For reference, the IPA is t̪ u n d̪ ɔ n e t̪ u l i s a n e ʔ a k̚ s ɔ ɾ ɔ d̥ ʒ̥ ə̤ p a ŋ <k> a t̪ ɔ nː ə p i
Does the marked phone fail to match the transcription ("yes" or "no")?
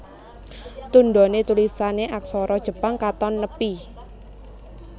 no